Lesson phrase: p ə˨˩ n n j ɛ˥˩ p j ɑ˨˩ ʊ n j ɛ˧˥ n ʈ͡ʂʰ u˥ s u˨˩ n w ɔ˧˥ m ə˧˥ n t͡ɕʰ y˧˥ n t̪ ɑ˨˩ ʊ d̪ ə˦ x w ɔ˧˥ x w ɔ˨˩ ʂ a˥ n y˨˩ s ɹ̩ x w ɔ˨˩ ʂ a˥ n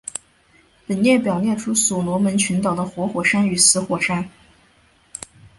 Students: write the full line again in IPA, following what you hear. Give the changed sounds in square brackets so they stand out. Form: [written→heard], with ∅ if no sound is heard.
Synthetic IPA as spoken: p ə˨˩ n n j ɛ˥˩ p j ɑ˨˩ ʊ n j [ɛ˧˥→ɛ˥˩] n ʈ͡ʂʰ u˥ s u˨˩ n w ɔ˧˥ m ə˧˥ n t͡ɕʰ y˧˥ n t̪ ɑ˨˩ ʊ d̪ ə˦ x w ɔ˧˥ x w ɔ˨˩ ʂ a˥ n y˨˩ s ɹ̩ x w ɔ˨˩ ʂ a˥ n